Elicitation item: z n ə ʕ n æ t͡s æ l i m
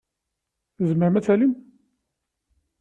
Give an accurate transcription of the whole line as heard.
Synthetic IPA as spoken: z m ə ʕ m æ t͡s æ l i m

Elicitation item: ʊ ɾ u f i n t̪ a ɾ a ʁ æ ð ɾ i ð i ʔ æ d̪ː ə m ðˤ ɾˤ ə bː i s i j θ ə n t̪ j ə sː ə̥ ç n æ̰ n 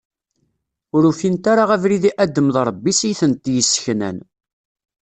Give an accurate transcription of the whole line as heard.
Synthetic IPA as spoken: ʊ ɾ u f i n t̪ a ɾ a ʁ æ v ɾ i ð i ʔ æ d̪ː ə m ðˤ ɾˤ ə bː i s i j θ ə n t̪ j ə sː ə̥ ç n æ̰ n

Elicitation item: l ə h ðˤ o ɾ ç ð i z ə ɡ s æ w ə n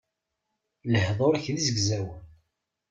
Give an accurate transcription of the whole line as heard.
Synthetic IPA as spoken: l ə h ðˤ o ɾ ç ð i z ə ɡ z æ w ə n

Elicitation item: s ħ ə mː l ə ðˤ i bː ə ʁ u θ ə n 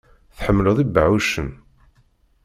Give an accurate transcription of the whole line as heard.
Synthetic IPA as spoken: θ ħ ə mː l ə ðˤ i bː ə ʕ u ʃ ə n

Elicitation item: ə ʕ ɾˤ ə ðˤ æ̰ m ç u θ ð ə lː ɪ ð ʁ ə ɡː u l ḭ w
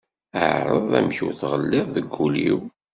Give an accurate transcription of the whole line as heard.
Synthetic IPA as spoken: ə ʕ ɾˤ ə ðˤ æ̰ m ç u θ ʁ ə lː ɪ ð ð ə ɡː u l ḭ w

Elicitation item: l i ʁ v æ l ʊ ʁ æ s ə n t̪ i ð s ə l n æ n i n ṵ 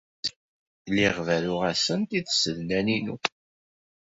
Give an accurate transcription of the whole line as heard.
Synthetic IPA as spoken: l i ʁ v æ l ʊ ʁ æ s ə n t̪ i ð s ə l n æ n i n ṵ

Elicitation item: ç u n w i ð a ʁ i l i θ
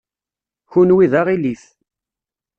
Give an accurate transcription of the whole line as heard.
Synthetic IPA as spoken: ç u n w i ð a ʁ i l i θ

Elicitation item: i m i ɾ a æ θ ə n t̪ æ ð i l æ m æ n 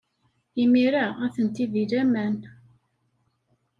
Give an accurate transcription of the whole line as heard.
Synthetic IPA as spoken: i m i ɾ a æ θ ə n t̪ i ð i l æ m æ n

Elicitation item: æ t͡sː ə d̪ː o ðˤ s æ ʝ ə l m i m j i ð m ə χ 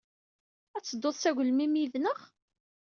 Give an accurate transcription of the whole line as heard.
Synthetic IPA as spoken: æ t͡sː ə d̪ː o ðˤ s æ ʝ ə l m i m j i ð n ə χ

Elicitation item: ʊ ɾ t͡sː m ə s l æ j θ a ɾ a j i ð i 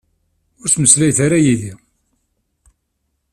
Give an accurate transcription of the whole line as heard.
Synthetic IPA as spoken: ʊ ɾ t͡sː m ə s l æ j θ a ɾ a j i ð i

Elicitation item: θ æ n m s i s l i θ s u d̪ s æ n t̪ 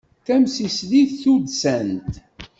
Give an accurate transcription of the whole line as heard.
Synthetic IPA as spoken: θ æ m s i s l i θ θ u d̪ s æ n t̪

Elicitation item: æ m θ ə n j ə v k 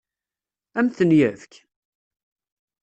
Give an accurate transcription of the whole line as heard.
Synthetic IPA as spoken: æ m θ ə n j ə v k

